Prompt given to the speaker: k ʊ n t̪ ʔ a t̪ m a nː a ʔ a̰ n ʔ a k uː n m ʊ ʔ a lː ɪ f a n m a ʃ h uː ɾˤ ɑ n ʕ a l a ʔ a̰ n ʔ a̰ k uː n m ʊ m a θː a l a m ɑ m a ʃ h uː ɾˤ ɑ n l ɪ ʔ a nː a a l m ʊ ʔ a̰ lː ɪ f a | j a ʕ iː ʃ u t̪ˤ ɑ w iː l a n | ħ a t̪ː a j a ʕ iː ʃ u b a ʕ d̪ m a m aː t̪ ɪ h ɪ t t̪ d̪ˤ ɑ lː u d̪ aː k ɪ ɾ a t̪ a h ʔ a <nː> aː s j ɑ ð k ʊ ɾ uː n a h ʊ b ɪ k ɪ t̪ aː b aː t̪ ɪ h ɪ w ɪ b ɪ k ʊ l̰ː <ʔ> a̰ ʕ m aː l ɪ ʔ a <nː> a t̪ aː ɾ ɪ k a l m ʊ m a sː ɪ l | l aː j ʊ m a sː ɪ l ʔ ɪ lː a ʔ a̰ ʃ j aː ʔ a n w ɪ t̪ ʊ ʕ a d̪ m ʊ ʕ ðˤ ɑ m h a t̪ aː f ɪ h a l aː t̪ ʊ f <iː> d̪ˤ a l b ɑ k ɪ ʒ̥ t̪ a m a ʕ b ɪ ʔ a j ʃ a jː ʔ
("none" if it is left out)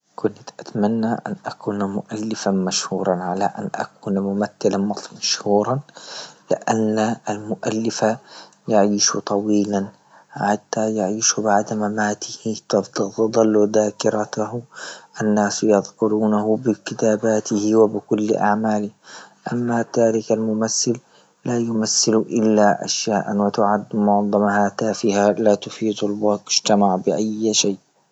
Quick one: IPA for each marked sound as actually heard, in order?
nː, ʔ, mː, iː

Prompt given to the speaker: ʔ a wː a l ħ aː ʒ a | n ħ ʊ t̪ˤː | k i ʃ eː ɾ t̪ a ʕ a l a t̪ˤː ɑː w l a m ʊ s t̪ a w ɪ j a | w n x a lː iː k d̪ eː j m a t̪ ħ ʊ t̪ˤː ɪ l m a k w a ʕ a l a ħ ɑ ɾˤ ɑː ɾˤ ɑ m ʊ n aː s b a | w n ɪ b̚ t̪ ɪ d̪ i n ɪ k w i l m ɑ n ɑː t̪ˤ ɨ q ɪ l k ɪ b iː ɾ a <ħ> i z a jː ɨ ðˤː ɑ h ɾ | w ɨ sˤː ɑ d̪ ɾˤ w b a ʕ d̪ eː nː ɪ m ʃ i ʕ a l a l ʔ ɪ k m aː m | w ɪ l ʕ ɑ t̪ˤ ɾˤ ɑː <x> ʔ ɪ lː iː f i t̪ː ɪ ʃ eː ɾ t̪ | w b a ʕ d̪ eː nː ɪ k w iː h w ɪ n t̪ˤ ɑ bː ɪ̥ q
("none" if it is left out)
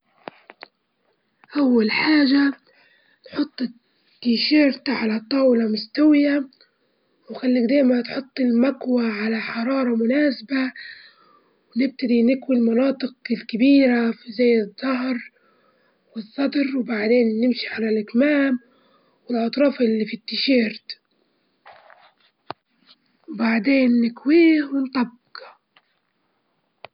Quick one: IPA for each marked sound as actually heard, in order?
f, f

